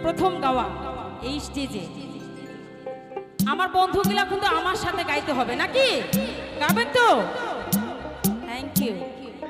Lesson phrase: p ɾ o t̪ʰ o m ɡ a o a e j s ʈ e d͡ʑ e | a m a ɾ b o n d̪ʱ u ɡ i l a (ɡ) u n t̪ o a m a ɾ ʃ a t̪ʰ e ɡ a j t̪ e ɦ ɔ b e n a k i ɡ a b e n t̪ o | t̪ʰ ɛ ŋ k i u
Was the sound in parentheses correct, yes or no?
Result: no